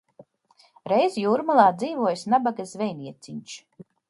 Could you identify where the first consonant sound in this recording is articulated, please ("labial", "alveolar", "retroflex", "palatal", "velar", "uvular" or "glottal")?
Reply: alveolar